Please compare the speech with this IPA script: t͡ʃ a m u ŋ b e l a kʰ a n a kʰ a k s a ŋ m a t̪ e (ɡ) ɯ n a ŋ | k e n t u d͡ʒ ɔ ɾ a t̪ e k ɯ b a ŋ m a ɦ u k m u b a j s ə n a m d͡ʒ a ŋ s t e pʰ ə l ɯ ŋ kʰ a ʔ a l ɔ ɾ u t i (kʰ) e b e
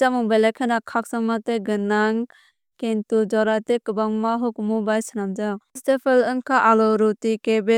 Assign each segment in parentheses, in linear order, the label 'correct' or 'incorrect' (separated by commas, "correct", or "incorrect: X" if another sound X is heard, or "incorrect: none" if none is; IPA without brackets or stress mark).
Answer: correct, incorrect: k